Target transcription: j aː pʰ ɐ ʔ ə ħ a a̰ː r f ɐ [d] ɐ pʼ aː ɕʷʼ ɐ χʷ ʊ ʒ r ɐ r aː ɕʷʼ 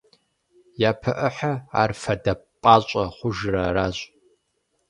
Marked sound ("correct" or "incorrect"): correct